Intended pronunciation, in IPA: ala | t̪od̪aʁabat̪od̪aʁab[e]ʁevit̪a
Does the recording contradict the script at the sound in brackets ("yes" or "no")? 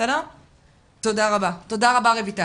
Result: yes